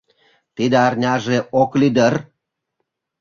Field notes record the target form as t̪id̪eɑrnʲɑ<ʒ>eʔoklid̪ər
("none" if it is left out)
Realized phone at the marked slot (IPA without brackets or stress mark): ʒ